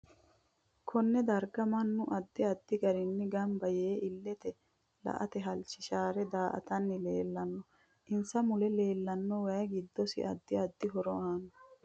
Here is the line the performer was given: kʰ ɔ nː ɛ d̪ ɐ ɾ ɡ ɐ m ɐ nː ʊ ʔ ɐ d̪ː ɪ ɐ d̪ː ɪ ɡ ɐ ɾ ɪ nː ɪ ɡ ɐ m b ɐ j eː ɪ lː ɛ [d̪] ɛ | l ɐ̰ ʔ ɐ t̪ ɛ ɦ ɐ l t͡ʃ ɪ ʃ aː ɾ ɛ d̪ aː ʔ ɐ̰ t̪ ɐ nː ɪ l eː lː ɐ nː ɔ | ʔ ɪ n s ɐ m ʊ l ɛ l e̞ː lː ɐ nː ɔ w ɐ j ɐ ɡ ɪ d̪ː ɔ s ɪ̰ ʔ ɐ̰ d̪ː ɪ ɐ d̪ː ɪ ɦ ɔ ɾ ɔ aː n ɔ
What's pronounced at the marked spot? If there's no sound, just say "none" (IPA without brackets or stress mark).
t̪